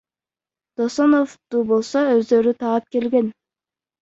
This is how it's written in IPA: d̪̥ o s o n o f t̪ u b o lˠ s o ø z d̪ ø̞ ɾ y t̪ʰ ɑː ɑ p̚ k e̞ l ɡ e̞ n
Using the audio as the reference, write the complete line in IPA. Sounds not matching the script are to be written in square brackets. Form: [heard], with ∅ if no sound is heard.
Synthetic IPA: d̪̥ o s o n o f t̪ u b o lˠ s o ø z d̪ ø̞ ɾ y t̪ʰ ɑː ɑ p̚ k e̞ l ɡ e̞ n